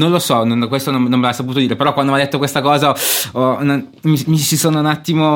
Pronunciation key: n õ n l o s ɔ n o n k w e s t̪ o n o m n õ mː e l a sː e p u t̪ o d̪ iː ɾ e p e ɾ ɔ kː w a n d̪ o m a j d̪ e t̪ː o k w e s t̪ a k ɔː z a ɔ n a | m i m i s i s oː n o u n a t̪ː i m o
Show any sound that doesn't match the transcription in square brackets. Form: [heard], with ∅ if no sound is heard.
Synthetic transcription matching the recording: n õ n l o s ɔ n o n k w e s t̪ o n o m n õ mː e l a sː [a] p u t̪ o d̪ iː ɾ e p e ɾ ɔ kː w a n d̪ o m a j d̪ e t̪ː o k w e s t̪ a k ɔː z a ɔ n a | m i m i s i s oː n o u n a t̪ː i m o